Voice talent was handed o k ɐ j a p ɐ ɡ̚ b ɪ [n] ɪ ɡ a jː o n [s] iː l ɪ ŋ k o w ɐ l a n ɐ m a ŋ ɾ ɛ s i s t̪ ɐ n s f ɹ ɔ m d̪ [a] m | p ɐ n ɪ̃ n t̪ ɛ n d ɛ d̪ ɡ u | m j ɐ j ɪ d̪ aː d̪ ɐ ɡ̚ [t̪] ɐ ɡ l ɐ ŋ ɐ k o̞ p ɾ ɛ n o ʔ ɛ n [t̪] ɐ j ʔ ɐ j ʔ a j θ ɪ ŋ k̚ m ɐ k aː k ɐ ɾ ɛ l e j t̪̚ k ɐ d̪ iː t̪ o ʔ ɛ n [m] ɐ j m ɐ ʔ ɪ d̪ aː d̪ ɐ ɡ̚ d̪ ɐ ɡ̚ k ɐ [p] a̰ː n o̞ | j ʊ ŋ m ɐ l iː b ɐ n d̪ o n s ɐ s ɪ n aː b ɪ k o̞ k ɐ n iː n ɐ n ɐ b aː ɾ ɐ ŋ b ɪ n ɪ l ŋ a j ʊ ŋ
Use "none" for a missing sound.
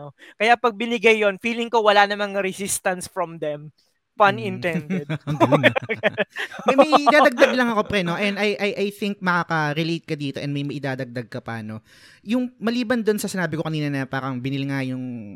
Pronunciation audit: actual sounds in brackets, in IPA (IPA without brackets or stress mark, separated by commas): n, f, ɛ, d̪, d̪, m, p